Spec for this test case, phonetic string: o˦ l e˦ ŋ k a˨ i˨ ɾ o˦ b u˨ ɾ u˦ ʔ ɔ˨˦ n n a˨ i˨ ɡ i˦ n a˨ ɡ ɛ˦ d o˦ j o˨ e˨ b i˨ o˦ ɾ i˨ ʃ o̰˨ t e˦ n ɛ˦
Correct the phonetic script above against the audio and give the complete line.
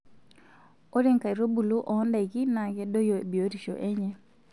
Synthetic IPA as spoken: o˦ ɾ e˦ ŋ k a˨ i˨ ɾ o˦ b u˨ l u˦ ʔ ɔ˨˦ n d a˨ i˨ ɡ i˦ n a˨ ɡ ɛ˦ d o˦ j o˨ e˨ b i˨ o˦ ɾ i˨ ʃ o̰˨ ʔ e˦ ɲ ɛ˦